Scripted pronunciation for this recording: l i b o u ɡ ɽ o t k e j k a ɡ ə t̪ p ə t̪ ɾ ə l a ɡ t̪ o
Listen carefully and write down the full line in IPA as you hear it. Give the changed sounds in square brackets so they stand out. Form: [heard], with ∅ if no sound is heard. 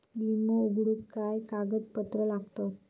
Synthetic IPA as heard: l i [m] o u ɡ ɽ [u] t k [a] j k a ɡ ə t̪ p ə t̪ ɾ ə l a ɡ t̪ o

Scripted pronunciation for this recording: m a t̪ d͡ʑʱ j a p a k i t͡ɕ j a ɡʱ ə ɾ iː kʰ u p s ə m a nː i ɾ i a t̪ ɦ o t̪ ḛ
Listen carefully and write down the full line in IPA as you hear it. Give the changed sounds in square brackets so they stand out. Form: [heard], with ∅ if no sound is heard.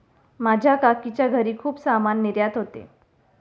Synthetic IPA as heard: m a [∅] d͡ʑʱ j a [k] a k i t͡ɕ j a ɡʱ ə ɾ iː kʰ [uː] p s [a] m a nː i ɾ [j] a t̪ ɦ o t̪ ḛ

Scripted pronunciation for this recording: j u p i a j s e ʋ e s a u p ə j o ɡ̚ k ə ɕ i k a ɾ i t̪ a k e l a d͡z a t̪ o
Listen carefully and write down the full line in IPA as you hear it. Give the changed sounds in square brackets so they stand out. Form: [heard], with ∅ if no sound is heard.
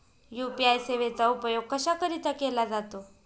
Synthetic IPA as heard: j u p i a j s e ʋ e [t͡s] a u p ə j o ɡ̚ k ə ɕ [a] k [ə] ɾ i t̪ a k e l a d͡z a t̪ o

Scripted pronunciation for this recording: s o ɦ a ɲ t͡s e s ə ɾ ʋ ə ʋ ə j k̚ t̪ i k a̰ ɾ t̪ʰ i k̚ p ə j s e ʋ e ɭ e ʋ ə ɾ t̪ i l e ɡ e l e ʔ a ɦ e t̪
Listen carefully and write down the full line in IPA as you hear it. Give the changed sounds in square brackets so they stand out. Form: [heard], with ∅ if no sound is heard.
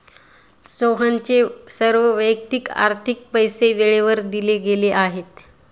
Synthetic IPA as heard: s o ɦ a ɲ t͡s e s ə ɾ ʋ ə ʋ ə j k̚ t̪ i k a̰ ɾ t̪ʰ i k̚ p ə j s e ʋ e ɭ e ʋ ə ɾ [d̪] i l e ɡ e l e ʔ a ɦ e t̪

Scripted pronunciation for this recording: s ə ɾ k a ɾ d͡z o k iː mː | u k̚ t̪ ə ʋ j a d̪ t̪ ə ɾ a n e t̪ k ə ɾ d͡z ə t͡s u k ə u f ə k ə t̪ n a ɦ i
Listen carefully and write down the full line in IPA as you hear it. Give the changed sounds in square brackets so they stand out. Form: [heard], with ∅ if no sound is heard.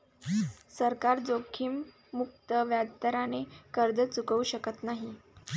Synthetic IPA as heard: s ə ɾ k a ɾ d͡z o [kʰ] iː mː | u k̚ t̪ ə ʋ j a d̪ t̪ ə ɾ a n e [∅] k ə ɾ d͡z ə t͡s u k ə u [ɕ] ə k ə t̪ n a ɦ i

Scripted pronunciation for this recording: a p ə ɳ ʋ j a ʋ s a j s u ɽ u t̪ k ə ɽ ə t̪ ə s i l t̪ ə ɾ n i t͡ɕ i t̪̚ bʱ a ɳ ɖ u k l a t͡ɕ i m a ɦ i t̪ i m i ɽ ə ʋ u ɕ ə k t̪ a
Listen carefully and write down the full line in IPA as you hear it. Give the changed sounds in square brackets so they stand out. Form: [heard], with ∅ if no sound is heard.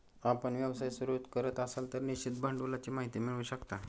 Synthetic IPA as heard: a p ə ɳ ʋ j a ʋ s a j s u [ɾ] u t̪ k ə [ɾ] ə t̪ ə s [a] l t̪ ə ɾ n i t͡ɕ i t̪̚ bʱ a ɳ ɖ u [∅] l a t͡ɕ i m a ɦ i t̪ i m i [ɭ] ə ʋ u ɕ ə k t̪ a

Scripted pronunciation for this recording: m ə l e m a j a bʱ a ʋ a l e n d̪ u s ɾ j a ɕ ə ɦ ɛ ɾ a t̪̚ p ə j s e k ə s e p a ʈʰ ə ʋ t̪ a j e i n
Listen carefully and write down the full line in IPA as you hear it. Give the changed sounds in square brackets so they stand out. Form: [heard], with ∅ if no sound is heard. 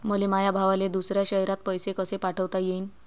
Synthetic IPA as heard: m ə l e m a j a bʱ a ʋ a l e [∅] d̪ u s ɾ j a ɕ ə ɦ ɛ ɾ a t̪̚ p ə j s e k ə s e p a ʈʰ ə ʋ t̪ a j e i n

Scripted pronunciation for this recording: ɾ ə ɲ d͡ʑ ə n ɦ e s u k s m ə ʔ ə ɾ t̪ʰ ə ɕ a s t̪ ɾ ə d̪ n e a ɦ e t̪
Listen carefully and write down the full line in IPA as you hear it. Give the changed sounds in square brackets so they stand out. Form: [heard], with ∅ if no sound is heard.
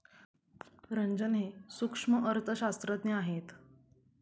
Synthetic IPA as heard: ɾ ə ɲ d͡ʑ ə n ɦ e s u k [ʂ] m ə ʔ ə ɾ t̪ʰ ə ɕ a s t̪ ɾ ə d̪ n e a ɦ e t̪

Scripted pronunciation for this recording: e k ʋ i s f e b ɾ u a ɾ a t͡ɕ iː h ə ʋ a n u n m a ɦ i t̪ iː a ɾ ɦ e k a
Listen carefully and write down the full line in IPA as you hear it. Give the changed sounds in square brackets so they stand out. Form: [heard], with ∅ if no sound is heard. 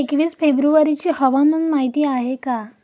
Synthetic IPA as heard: e k ʋ [iː] s f e b ɾ u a ɾ [i] t͡ɕ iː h ə ʋ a n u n m a ɦ i t̪ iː a [∅] ɦ e k a

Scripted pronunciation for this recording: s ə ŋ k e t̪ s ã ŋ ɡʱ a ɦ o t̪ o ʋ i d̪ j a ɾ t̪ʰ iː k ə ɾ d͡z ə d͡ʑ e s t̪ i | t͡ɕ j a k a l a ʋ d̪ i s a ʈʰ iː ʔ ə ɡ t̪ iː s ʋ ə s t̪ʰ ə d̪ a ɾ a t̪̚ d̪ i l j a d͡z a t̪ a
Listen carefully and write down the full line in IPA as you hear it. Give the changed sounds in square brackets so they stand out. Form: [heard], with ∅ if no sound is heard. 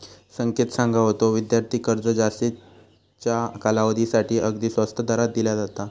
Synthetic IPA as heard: s ə ŋ k e t̪ s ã ŋ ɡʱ a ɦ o t̪ o ʋ i d̪ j a ɾ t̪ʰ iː k ə ɾ d͡z ə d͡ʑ [a] s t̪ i | t͡ɕ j a k a l a ʋ d̪ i s a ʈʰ iː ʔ ə ɡ [d̪] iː s ʋ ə s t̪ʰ ə d̪ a ɾ a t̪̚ d̪ i l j a d͡z a t̪ a

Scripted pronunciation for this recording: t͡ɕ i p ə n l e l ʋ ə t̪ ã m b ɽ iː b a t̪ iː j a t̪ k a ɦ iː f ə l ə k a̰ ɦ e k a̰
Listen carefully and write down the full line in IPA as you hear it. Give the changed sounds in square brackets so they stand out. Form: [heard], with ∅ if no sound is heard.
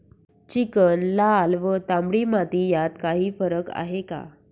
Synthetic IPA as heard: t͡ɕ i [k] ə n l [a] l ʋ ə t̪ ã m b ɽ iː [m] a t̪ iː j a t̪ k a ɦ iː f ə [ɾ] ə k a̰ ɦ e k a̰

